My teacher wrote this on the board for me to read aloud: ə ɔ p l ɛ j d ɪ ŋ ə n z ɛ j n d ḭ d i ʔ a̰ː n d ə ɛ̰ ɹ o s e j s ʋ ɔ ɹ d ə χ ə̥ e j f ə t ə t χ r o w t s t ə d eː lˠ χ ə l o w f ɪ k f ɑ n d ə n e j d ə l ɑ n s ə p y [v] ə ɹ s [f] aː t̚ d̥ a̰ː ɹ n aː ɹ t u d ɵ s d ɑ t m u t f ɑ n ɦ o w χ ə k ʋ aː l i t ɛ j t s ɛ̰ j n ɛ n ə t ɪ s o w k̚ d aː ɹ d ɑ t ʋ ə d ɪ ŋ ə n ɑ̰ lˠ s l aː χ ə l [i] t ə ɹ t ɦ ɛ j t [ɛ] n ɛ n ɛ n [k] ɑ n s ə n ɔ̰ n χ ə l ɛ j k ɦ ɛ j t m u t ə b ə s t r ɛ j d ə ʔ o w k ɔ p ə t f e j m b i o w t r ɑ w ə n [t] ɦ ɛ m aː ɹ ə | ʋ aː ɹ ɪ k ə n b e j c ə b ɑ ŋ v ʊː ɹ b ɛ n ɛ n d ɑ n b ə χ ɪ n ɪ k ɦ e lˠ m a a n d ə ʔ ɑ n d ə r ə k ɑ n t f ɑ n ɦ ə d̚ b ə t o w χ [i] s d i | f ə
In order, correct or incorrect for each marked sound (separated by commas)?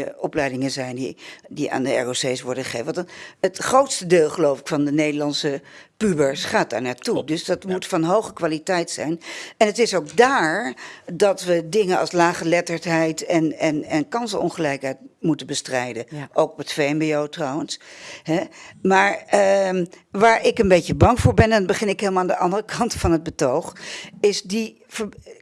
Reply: incorrect, incorrect, incorrect, correct, correct, incorrect, incorrect